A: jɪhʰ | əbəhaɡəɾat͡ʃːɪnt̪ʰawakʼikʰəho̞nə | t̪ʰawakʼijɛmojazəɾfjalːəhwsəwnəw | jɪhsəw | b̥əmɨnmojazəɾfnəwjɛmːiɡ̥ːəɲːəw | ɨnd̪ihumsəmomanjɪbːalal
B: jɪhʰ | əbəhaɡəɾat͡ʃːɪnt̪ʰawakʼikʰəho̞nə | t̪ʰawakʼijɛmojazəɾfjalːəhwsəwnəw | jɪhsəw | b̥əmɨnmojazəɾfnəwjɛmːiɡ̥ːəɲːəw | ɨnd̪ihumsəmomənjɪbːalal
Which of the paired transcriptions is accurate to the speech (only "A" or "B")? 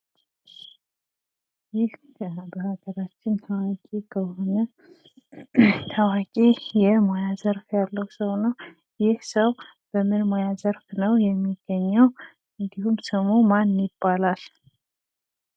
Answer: A